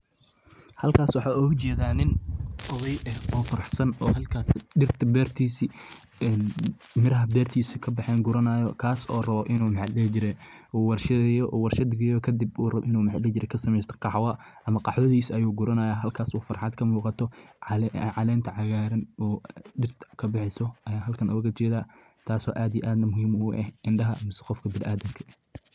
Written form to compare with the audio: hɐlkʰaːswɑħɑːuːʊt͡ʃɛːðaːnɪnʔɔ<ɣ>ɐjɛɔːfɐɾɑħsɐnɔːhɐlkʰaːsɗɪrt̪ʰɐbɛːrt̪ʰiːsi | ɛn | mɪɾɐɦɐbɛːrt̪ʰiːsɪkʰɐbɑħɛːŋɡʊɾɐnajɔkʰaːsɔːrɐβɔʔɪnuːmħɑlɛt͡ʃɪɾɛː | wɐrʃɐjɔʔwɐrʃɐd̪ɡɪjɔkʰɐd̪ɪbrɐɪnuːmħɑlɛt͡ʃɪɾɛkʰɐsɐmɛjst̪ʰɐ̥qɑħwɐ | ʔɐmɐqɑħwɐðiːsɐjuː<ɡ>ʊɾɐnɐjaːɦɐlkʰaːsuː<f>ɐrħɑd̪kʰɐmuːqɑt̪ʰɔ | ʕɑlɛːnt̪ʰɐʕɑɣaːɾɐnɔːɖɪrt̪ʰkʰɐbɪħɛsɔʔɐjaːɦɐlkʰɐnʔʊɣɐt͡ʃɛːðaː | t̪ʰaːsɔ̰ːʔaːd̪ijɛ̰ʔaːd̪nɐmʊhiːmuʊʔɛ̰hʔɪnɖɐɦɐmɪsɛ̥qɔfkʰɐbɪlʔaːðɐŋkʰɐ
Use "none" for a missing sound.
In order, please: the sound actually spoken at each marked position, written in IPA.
ð, ɡ, f

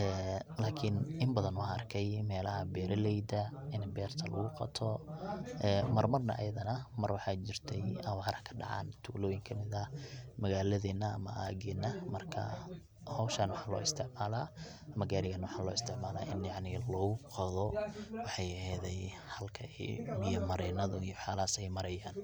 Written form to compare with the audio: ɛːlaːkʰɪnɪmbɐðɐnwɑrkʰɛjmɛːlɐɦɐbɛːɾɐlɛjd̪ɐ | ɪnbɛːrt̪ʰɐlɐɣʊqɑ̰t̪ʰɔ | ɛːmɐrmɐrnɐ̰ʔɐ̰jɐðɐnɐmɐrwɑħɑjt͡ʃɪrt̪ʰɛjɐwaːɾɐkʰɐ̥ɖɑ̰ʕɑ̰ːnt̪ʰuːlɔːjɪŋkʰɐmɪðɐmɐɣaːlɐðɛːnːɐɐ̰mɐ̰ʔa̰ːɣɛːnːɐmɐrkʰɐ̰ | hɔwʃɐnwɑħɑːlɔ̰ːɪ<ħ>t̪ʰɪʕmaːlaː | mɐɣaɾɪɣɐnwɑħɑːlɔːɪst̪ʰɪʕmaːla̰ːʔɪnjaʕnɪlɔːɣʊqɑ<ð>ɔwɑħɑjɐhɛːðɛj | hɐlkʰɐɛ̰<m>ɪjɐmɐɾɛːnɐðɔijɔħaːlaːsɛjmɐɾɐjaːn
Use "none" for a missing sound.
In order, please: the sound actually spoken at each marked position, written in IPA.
s, ð, m

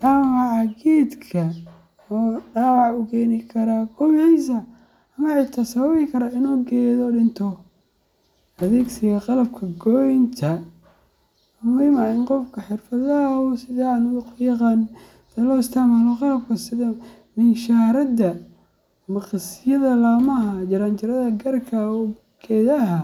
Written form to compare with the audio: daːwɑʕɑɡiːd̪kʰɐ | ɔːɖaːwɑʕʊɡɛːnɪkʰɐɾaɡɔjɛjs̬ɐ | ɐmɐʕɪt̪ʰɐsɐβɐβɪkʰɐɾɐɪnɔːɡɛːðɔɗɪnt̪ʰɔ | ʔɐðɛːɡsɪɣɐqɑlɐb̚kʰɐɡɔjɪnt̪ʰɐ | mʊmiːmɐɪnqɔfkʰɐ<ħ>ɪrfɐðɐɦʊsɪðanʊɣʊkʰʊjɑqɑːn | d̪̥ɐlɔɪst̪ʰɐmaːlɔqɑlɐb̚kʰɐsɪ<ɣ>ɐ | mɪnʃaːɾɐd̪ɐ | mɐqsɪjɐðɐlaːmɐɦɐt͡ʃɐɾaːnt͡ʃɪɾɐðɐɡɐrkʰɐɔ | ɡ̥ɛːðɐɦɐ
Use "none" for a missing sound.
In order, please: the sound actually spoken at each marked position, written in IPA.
ħ, ð

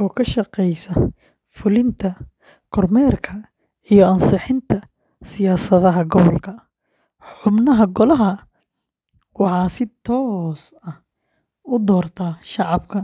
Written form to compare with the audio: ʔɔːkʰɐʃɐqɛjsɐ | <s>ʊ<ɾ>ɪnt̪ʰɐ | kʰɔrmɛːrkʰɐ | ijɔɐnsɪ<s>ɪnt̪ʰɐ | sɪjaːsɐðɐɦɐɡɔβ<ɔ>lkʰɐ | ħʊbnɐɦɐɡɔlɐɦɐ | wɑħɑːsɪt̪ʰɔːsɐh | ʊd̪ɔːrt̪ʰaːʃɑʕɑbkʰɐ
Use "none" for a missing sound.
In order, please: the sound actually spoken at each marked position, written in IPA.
f, l, ħ, ɔ

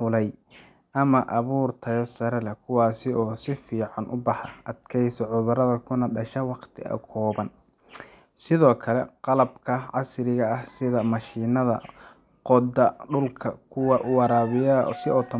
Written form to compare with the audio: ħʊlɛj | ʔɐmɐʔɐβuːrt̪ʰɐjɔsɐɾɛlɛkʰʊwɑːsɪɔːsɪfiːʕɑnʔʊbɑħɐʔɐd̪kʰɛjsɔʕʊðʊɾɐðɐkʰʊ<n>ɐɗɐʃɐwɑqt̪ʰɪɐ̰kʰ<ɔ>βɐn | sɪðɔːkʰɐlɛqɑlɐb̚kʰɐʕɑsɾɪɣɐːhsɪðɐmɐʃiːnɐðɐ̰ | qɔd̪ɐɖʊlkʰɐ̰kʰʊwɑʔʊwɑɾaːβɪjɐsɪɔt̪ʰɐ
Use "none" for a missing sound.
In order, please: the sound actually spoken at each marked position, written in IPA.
n, ɔː

